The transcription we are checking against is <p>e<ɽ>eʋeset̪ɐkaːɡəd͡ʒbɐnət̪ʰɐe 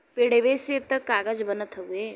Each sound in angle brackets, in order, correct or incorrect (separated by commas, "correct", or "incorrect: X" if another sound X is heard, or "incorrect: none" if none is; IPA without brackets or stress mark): correct, correct